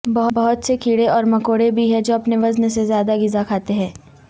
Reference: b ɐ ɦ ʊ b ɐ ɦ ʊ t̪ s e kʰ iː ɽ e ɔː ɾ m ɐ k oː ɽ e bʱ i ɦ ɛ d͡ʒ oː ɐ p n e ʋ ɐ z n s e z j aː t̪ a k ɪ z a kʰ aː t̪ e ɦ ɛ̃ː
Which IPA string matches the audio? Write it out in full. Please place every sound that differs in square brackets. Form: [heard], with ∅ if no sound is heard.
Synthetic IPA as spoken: b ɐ ɦ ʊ b ɐ ɦ ʊ t̪ s e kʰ iː ɽ e ɔː ɾ m ɐ k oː ɽ e bʱ i ɦ ɛ d͡ʒ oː ɐ p n e ʋ ɐ z n s e z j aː [d̪] a [ɡ] ɪ z a kʰ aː t̪ e ɦ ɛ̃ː